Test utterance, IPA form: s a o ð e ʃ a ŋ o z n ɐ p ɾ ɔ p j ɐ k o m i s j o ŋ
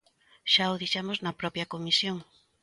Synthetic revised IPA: ʃ a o ð i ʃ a m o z n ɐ p ɾ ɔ p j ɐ k o m i s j o ŋ

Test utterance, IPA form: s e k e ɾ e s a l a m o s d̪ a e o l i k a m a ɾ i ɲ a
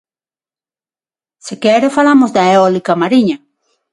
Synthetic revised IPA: s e k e ɾ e f a l a m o z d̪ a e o l i k a m a ɾ i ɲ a

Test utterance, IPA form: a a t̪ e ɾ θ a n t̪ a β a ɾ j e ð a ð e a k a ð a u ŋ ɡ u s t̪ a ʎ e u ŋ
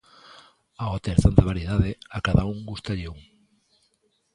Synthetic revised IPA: a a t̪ e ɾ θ a n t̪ a β a ɾ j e ð a ð e a k a ð a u ŋ ɡ u s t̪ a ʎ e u ŋ

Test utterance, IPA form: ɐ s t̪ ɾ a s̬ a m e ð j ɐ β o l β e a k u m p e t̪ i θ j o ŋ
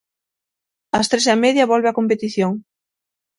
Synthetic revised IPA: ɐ s t̪ ɾ e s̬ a m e ð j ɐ β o l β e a k o m p e t̪ i θ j o ŋ

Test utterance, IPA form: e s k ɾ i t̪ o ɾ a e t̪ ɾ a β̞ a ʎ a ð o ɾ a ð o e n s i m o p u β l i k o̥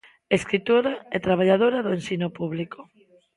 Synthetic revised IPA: e s k ɾ i t̪ o ɾ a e t̪ ɾ a β̞ a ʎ a ð o ɾ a ð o e n s i n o p u β l i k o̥

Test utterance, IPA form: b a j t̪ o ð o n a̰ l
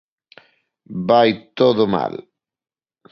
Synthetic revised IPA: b a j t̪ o ð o m a̰ l

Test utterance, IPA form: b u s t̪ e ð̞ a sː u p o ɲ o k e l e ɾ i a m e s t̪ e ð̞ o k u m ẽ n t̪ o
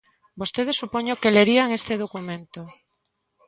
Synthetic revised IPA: b o s t̪ e ð̞ e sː u p o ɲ o k e l e ɾ i a ŋ e s t̪ e ð̞ o k u m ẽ n t̪ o

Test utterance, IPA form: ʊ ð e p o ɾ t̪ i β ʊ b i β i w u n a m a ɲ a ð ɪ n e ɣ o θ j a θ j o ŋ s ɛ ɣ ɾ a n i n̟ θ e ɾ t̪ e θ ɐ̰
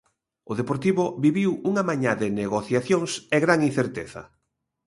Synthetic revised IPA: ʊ ð e p o ɾ t̪ i β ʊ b i β i w u ŋ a m a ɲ a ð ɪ n e ɣ o θ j a θ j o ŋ s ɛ ɣ ɾ a ŋ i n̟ θ e ɾ t̪ e θ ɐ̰

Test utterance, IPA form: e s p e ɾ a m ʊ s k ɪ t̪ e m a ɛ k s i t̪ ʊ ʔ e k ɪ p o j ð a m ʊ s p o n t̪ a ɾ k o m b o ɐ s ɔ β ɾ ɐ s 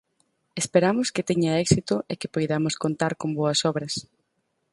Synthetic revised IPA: e s p e ɾ a m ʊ s k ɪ t̪ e ɲ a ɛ k s i t̪ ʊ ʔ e k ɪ p o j ð a m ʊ s k o n t̪ a ɾ k o m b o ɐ s ɔ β ɾ ɐ s

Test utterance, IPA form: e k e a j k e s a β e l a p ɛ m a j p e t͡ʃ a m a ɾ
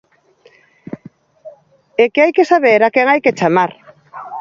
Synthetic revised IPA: e k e a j k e s a β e ɾ a k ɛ ŋ a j k e t͡ʃ a m a ɾ

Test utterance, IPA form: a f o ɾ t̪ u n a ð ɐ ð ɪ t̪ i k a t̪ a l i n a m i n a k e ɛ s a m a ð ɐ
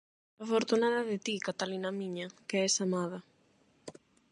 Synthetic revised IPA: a f o ɾ t̪ u n a ð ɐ ð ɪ t̪ i k a t̪ a l i n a m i ɲ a k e ɛ s a m a ð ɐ

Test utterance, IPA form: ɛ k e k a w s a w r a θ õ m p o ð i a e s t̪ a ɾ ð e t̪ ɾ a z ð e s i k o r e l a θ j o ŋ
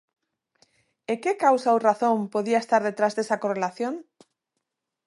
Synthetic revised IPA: e k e k a w s a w r a θ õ m p o ð i a e s t̪ a ɾ ð e t̪ ɾ a z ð e s a k o r e l a θ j o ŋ

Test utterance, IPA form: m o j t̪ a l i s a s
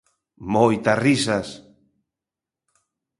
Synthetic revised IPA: m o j t̪ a r i s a s

